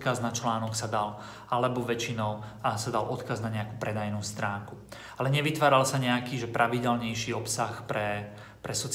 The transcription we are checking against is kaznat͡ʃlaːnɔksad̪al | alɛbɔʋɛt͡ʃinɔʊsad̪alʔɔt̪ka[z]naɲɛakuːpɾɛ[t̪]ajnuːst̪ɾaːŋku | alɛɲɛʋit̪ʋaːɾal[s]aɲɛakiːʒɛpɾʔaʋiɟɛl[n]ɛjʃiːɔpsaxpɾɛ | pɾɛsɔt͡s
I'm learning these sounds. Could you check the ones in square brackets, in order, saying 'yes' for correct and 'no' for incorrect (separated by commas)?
yes, no, yes, no